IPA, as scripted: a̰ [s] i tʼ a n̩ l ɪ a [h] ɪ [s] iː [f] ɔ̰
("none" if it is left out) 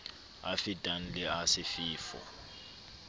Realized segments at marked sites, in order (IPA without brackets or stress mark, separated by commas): f, s, f, f